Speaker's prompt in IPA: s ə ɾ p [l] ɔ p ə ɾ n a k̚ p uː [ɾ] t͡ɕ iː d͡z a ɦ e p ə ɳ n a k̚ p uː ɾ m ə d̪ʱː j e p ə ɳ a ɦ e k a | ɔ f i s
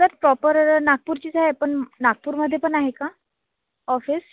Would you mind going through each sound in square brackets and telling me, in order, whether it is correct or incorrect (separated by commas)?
incorrect, correct